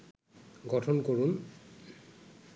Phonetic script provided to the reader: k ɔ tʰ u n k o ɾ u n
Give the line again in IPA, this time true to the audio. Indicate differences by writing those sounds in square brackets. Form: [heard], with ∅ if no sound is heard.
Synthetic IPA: [ɡ] ɔ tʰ [ɔ] n k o [ɹ] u n